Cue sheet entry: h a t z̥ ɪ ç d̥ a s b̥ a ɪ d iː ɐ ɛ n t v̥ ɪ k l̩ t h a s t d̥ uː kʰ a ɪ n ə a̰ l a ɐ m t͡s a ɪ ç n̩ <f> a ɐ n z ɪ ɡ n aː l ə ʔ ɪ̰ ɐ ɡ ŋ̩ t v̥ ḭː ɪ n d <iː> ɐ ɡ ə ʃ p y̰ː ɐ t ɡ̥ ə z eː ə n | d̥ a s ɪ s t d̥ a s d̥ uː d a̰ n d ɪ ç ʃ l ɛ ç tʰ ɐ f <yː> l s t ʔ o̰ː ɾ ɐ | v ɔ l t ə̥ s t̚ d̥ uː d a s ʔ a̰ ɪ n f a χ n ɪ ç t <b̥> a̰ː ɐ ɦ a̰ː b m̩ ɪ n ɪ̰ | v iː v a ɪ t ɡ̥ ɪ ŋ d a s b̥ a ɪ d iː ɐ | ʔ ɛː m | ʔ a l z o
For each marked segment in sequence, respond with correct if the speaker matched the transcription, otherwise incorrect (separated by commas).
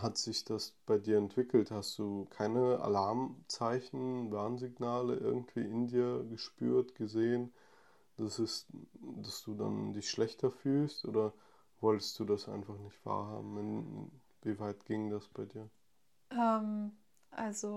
incorrect, correct, correct, incorrect